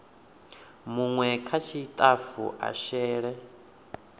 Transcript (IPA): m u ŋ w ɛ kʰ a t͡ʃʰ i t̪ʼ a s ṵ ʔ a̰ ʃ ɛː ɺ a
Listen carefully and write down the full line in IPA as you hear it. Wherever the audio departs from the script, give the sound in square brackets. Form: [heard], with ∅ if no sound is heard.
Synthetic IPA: m u ŋ w ɛ kʰ a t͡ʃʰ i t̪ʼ a [f] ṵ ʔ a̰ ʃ ɛː ɺ [ɛ]